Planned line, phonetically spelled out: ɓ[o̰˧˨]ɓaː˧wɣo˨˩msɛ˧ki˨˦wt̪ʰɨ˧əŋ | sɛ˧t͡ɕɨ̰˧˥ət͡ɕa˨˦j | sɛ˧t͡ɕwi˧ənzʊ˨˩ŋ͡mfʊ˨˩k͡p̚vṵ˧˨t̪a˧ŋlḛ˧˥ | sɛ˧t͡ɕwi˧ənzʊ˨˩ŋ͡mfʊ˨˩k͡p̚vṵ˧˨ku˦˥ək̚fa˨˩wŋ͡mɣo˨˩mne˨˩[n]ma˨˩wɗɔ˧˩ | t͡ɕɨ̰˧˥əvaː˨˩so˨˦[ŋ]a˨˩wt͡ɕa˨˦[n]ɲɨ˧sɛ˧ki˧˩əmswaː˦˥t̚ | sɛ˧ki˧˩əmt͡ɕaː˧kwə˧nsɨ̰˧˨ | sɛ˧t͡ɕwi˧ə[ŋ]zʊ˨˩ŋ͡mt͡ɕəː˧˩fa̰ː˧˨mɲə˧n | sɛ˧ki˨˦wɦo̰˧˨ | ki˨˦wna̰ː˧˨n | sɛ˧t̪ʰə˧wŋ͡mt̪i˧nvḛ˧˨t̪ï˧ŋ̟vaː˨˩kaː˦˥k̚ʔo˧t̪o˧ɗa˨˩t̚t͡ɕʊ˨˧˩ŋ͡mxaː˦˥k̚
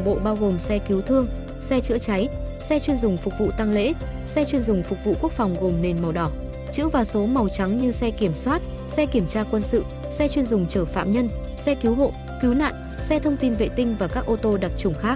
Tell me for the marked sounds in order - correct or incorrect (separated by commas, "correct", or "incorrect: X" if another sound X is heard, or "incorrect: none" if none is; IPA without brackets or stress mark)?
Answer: correct, correct, incorrect: m, incorrect: ŋ, incorrect: n